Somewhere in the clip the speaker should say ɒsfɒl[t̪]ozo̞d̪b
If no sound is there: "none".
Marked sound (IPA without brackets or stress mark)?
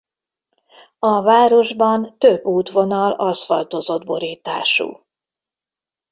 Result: t̪